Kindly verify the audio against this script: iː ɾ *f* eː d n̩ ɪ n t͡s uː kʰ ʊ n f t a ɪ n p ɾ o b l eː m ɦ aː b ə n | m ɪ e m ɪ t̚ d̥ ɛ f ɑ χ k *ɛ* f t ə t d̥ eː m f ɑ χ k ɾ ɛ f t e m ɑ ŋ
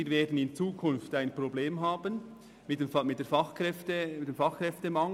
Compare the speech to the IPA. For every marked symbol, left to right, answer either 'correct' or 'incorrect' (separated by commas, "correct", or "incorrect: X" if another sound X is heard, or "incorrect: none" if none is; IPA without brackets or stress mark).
incorrect: v, correct